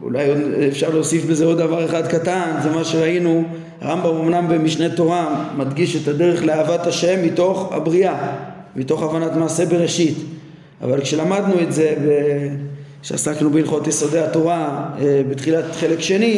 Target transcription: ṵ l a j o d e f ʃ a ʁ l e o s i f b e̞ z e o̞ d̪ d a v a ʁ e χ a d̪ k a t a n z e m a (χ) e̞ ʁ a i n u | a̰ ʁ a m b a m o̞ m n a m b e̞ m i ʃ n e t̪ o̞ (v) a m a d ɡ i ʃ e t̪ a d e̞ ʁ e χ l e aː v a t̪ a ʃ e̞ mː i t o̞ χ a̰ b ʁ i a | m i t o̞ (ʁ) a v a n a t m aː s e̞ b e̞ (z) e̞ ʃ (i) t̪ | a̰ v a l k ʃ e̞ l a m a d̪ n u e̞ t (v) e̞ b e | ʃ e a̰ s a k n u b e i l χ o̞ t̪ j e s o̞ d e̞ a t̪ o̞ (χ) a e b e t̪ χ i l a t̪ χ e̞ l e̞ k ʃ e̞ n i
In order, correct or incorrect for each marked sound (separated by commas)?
incorrect, incorrect, incorrect, incorrect, correct, incorrect, incorrect